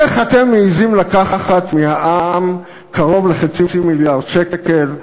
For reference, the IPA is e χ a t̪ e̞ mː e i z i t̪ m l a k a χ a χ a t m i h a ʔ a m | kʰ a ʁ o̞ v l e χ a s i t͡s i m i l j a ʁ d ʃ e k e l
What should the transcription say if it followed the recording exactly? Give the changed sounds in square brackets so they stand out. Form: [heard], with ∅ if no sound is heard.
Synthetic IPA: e χ a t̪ e̞ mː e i z i [∅] m l a k a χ a χ a t m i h a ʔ a m | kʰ a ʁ o̞ v l e χ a [t͡s] i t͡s i m i l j a ʁ d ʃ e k e l